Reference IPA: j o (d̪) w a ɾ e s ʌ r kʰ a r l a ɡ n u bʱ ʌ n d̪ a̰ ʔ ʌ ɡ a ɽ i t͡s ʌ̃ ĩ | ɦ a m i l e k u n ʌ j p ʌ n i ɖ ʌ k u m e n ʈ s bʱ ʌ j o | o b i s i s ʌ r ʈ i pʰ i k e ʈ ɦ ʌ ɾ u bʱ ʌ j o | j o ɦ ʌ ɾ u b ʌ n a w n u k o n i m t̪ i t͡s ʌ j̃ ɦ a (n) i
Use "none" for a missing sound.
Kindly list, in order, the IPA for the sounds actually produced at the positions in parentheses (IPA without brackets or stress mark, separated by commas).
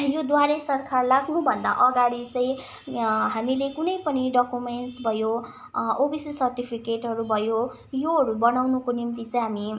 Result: d̪, m